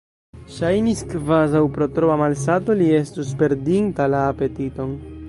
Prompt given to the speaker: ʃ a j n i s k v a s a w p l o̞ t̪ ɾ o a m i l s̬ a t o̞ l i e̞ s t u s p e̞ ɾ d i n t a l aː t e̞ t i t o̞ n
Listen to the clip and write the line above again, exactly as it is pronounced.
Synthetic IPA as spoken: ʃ a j n i s k v a z a w p ɾ o̞ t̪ ɾ o a m a l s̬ a t o̞ l i e̞ s t u s p e̞ ɾ d i n t a l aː p e̞ t i t o̞ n